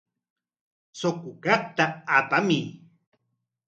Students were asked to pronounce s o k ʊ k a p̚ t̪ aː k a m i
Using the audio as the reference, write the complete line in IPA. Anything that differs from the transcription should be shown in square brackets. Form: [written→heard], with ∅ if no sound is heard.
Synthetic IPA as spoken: s o k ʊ k a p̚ t̪ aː [k→p] a m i